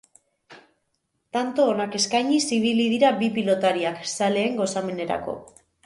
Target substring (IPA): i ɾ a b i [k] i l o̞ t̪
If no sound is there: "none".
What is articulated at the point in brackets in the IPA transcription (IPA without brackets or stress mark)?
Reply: p